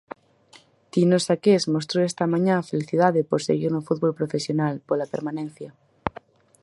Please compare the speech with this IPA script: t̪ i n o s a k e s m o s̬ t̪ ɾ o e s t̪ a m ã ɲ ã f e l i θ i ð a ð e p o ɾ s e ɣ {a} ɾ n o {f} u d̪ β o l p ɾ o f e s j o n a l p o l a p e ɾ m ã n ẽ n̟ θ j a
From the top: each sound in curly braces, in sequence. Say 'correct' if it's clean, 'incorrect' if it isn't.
incorrect: i, correct

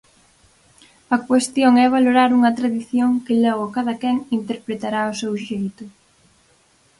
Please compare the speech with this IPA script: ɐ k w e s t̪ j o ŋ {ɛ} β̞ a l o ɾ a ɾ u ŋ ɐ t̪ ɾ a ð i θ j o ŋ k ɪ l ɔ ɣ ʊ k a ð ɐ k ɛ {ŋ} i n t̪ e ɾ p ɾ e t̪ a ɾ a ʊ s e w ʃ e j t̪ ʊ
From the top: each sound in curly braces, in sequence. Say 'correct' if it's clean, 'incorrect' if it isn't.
correct, correct

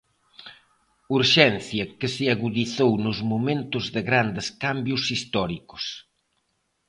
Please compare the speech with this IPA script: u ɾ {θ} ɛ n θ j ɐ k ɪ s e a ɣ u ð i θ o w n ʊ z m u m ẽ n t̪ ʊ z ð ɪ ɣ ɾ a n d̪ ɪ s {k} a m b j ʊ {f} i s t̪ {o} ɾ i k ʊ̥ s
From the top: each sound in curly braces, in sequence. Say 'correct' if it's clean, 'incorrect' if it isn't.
incorrect: ʃ, correct, incorrect: s, incorrect: ɔ

